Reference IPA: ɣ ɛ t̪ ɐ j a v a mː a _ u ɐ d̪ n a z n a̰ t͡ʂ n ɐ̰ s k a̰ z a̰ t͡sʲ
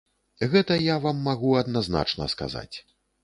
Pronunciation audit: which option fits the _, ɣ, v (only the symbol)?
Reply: ɣ